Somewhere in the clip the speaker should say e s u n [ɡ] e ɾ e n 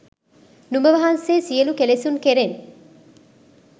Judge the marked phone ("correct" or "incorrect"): incorrect